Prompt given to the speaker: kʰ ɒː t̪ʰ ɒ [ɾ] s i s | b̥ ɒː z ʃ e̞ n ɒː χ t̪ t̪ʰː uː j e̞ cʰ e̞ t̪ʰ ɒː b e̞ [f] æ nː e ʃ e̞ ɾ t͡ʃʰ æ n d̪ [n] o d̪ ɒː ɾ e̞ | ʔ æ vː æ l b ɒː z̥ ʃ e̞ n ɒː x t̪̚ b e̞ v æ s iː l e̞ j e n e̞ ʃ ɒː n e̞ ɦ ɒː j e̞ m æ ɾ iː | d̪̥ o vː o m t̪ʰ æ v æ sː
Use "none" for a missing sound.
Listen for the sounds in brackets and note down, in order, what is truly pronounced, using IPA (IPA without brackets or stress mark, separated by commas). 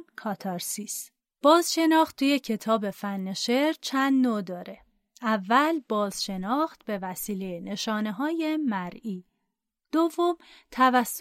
ɾ, f, n